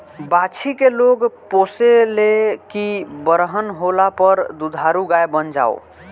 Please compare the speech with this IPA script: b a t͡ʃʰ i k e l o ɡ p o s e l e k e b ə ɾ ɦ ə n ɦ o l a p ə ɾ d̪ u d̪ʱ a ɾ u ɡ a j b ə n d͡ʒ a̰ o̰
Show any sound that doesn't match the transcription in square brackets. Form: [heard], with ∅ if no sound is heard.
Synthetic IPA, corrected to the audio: b a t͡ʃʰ i k e l o ɡ p o s e l e k [i] b ə ɾ ɦ ə n ɦ o l a p ə ɾ d̪ u d̪ʱ a ɾ u ɡ a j b ə n d͡ʒ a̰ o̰